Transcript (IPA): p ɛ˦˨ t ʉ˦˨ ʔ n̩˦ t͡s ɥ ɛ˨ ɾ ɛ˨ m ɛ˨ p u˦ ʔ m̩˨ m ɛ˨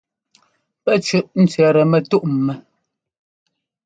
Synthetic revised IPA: p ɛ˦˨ t͡ʃ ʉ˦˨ ʔ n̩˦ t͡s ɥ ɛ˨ ɾ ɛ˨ m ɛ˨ t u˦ ʔ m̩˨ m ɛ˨